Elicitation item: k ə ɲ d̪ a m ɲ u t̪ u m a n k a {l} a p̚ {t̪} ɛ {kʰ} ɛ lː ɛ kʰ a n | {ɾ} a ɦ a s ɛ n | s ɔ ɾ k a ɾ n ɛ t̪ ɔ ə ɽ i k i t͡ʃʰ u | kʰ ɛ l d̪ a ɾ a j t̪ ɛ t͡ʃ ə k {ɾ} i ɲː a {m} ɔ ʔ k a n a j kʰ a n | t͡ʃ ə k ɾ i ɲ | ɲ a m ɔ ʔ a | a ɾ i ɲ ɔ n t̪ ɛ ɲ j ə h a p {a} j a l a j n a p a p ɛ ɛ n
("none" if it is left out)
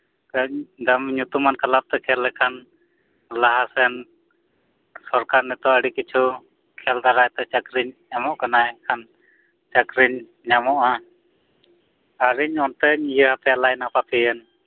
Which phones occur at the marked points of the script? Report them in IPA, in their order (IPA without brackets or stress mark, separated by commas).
l, t̪, kʰ, l, ɾ, m, ɛ